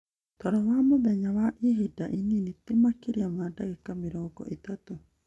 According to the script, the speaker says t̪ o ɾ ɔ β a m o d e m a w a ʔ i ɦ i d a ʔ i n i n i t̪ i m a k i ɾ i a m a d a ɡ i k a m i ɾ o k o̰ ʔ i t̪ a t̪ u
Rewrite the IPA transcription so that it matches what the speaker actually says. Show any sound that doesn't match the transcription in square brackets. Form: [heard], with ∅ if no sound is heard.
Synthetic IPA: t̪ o ɾ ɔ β a m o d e [ɲ] a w a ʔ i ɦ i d a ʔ i n i n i t̪ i m a k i ɾ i a m a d a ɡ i k a m i ɾ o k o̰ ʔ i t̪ a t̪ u